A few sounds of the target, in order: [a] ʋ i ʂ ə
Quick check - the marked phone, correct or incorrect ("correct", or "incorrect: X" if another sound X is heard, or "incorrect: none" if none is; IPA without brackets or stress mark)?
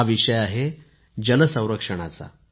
correct